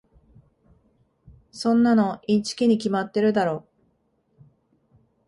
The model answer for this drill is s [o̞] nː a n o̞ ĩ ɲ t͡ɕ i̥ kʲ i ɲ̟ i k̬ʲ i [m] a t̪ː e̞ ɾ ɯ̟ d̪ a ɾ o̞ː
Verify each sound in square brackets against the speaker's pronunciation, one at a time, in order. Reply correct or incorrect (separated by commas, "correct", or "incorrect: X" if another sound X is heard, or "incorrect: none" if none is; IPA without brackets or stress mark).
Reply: incorrect: õ̞, correct